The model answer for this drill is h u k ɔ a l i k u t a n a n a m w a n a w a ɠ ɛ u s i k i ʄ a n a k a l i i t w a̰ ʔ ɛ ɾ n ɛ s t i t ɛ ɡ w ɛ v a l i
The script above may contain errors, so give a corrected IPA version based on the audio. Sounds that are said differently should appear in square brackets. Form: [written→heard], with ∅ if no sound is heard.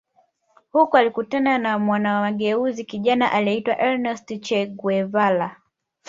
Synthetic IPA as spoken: h u k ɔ a l i k u t a n a n a m w a n a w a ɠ ɛ u [s→z] i k i ʄ a n a [k→ʔ] a l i i t w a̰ ʔ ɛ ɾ n ɛ s t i [t→t͡ʃ] ɛ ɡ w ɛ v a l [i→a]